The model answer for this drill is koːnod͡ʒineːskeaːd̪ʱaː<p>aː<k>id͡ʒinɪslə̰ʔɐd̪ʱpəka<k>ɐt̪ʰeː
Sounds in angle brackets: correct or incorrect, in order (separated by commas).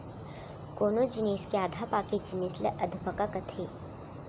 correct, correct, correct